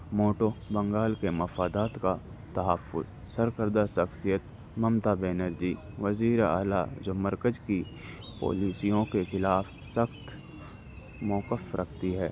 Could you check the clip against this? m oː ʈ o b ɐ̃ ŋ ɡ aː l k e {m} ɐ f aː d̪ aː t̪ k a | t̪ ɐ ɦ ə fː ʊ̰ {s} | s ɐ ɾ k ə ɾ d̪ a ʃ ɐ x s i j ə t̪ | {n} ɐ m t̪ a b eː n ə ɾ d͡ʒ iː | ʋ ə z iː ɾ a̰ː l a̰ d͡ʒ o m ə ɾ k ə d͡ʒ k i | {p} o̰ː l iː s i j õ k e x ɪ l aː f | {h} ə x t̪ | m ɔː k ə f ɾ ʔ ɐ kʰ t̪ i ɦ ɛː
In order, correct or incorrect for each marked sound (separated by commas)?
correct, incorrect, incorrect, correct, incorrect